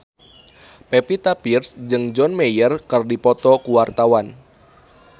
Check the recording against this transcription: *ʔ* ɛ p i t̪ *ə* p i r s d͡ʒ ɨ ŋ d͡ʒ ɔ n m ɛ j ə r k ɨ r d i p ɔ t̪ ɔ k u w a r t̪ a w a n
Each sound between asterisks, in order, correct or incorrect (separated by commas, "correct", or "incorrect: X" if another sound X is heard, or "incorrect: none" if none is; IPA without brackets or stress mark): incorrect: p, incorrect: a